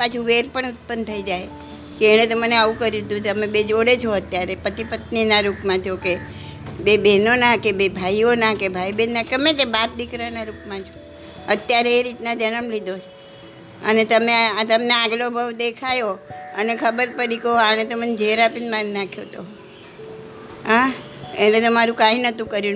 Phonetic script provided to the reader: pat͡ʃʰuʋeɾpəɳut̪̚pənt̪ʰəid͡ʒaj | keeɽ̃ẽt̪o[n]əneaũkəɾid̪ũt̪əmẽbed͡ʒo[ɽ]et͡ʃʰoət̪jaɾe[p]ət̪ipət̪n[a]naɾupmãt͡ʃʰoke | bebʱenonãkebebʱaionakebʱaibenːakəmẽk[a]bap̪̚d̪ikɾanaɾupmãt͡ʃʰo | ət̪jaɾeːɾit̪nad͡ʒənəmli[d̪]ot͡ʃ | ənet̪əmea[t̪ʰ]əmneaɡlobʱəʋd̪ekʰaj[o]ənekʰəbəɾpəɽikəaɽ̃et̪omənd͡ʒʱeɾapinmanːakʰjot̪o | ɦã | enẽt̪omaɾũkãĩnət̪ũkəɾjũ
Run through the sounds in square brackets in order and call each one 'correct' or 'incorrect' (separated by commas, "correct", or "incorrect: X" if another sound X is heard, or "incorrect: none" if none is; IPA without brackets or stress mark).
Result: incorrect: m, correct, correct, incorrect: i, incorrect: e, correct, incorrect: t̪, correct